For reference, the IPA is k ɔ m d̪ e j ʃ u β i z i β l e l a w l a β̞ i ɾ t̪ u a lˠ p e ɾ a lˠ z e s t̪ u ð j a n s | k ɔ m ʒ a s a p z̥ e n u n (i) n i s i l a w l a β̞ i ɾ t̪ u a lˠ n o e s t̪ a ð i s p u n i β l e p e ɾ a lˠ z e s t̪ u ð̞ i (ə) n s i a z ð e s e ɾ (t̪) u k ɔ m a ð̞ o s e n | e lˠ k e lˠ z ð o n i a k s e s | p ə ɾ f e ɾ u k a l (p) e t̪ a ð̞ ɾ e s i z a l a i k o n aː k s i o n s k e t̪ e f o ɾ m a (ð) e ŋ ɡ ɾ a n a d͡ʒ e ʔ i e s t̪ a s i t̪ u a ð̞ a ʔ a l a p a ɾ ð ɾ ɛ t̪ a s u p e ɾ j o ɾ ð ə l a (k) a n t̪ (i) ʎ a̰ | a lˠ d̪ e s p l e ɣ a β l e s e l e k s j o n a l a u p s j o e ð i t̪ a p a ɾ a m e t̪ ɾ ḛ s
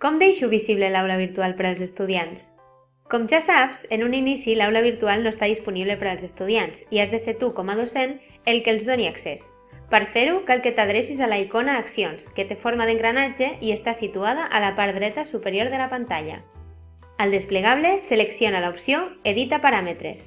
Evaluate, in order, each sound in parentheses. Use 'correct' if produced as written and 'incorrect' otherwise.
correct, incorrect, correct, incorrect, correct, incorrect, incorrect

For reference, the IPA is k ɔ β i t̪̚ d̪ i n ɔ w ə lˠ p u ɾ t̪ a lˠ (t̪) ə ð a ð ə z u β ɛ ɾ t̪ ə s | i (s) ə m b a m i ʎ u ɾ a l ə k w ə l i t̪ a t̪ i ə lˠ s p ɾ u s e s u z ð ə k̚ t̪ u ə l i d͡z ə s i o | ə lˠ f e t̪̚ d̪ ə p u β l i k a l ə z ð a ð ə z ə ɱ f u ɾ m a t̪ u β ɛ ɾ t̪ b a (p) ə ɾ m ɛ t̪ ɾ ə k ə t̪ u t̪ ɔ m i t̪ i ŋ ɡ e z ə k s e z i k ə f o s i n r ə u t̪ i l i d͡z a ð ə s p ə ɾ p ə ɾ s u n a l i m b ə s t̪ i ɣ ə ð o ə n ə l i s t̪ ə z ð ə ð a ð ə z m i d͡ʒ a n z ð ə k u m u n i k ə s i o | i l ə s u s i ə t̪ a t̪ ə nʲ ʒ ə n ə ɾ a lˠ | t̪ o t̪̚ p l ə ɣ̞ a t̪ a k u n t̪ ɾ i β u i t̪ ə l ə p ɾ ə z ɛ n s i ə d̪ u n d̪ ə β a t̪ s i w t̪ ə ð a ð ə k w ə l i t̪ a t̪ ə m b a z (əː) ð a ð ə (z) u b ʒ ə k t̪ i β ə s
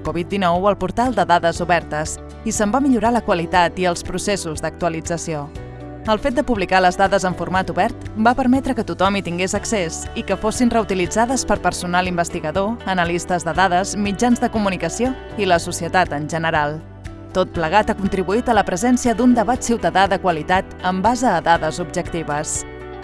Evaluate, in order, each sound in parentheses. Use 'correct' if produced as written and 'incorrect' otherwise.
incorrect, correct, correct, correct, correct

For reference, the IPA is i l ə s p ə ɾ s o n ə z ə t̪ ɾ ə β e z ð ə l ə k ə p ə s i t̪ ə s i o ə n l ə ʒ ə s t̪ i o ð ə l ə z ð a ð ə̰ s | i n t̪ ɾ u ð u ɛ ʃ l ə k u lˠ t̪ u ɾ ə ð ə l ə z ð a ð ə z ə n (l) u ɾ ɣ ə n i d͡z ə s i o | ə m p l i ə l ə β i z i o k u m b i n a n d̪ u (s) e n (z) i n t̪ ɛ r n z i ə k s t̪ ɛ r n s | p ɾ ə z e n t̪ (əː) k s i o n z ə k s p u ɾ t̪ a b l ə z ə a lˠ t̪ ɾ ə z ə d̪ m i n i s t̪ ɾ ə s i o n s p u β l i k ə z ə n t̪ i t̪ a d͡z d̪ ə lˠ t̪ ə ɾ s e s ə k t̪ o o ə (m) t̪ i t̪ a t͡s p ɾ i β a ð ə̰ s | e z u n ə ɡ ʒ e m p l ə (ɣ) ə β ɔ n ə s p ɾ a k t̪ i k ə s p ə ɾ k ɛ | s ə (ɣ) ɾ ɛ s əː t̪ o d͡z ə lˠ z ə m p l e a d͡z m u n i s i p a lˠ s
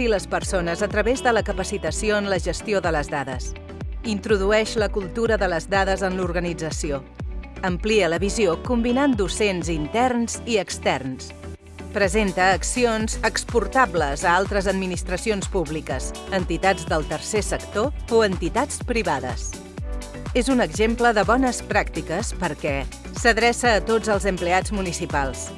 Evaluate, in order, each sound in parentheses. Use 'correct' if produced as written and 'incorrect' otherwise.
correct, correct, correct, correct, incorrect, incorrect, incorrect

